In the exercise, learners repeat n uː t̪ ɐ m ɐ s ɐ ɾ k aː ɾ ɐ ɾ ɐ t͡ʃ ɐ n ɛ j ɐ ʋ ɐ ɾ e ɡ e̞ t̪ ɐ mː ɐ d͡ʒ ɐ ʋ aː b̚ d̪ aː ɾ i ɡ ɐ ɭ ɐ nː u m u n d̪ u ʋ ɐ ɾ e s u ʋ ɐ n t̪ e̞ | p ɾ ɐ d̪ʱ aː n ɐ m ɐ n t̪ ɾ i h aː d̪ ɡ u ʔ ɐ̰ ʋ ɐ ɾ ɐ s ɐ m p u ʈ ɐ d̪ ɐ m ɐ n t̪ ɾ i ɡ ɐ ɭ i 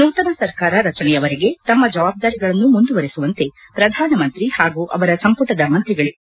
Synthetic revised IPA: n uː t̪ ɐ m ɐ s ɐ ɾ k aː ɾ ɐ ɾ ɐ t͡ʃ ɐ n ɛ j ɐ ʋ ɐ ɾ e ɡ e̞ t̪ ɐ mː ɐ d͡ʒ ɐ ʋ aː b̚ d̪ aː ɾ i ɡ ɐ ɭ ɐ nː u m u n d̪ u ʋ ɐ ɾ e s u ʋ ɐ n t̪ e̞ | p ɾ ɐ d̪ʱ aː n ɐ m ɐ n t̪ ɾ i h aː ɡ u ʔ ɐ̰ ʋ ɐ ɾ ɐ s ɐ m p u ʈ ɐ d̪ ɐ m ɐ n t̪ ɾ i ɡ ɐ ɭ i